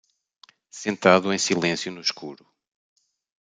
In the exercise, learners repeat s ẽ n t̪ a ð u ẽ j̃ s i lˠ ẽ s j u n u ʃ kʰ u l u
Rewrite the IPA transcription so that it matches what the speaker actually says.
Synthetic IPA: s ẽ n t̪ a ð u ẽ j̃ s i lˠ ẽ s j u n u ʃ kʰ u ɾ u